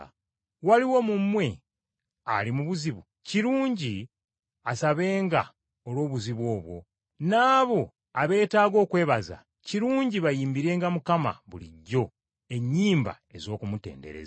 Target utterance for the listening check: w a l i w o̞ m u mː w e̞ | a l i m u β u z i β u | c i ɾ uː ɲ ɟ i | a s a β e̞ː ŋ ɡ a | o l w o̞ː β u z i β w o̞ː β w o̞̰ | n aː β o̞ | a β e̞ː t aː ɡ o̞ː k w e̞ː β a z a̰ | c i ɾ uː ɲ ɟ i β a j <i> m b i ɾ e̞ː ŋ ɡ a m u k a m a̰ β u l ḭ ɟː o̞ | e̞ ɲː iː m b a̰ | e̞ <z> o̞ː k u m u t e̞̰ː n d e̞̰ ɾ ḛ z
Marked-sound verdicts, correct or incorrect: incorrect: iː, correct

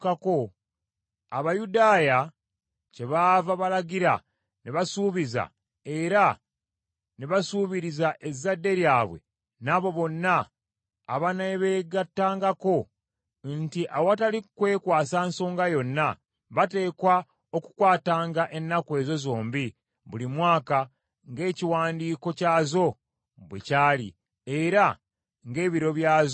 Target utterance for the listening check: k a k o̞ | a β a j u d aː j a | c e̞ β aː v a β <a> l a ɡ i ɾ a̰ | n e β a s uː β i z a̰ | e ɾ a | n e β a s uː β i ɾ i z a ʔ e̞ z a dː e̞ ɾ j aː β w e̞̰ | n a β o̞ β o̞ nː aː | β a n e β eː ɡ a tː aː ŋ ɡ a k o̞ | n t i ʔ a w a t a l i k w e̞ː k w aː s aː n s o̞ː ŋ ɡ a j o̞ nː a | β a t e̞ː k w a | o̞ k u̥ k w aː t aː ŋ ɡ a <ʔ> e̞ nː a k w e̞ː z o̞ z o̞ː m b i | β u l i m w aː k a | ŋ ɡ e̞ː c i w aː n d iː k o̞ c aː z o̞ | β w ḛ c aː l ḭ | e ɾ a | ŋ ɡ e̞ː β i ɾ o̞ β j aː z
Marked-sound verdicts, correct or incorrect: correct, correct

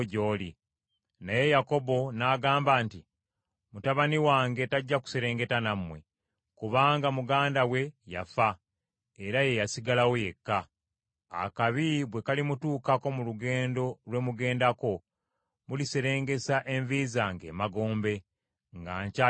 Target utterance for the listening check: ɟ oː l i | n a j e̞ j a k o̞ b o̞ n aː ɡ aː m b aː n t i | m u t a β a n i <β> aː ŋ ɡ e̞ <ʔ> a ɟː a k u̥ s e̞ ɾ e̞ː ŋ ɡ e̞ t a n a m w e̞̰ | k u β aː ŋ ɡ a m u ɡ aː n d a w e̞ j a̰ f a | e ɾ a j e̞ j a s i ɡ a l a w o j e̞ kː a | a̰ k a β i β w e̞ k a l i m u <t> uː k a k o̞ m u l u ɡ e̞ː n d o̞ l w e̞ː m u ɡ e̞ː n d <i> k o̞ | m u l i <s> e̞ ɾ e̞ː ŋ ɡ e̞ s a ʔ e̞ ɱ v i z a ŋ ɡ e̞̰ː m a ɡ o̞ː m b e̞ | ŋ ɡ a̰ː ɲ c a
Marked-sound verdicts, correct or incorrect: incorrect: w, incorrect: t, correct, incorrect: a, correct

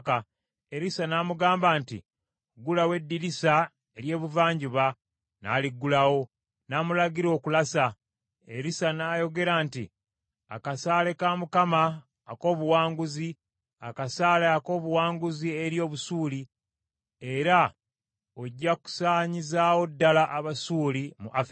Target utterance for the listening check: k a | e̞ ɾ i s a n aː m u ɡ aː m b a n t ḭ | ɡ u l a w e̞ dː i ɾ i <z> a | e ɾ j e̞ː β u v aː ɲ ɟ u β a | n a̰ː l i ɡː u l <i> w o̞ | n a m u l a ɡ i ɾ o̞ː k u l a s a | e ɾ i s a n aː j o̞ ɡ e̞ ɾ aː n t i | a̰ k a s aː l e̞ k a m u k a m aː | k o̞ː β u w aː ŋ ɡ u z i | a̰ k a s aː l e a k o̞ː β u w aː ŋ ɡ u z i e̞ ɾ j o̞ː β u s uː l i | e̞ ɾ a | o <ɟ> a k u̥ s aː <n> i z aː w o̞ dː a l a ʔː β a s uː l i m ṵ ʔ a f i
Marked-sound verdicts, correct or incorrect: incorrect: s, incorrect: a, incorrect: ɟː, incorrect: ɲ

